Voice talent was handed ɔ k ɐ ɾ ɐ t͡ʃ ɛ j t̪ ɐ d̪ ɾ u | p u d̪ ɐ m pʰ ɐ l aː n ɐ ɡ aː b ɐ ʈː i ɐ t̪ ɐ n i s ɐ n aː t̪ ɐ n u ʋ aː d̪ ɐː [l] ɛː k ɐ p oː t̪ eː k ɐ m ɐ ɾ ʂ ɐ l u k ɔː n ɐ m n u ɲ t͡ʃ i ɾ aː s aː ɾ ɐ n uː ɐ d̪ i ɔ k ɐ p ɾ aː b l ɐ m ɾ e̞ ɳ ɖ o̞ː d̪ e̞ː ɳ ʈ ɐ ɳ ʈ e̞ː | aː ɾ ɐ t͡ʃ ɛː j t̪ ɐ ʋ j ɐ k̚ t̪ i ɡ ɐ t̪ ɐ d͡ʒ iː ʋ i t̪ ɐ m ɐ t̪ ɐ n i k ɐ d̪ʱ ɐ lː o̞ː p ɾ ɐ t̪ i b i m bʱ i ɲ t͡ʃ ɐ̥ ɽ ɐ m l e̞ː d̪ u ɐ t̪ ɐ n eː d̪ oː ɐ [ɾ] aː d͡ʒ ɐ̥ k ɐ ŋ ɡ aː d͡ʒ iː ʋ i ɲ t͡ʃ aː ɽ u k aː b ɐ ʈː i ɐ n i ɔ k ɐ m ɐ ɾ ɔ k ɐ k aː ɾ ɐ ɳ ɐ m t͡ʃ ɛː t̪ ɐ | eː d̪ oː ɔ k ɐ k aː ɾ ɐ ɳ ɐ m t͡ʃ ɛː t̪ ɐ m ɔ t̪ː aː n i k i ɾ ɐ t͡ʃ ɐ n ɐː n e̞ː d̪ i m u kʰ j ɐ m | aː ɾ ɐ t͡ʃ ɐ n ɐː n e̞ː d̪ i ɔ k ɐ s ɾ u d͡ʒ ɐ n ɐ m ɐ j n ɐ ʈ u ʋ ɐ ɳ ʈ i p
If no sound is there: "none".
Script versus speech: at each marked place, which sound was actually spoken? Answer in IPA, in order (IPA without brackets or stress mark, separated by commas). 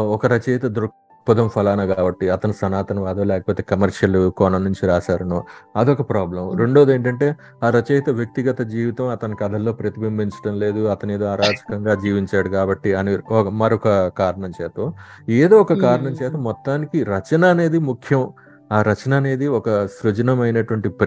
l, ɾ